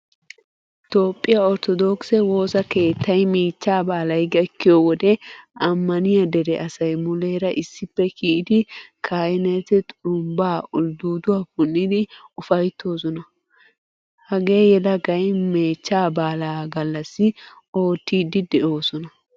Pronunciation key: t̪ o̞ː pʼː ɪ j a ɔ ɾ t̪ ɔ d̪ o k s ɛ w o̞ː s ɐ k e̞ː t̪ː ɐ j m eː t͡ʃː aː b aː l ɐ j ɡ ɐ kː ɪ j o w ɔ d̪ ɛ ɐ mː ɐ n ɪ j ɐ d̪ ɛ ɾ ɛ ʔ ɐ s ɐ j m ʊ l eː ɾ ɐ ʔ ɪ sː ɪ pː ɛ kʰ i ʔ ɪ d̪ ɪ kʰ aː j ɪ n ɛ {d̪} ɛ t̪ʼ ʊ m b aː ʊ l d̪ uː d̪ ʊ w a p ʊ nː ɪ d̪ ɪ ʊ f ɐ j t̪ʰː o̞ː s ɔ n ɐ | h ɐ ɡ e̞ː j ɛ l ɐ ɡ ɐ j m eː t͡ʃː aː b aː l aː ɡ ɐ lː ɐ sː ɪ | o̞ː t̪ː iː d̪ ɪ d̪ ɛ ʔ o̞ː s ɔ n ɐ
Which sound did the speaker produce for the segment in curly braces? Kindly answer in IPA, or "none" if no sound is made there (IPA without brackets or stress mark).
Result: t̪